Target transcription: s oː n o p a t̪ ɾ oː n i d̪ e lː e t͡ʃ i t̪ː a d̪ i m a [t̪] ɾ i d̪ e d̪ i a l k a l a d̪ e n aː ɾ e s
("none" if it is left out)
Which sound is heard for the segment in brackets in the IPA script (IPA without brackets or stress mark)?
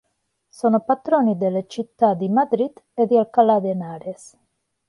d̪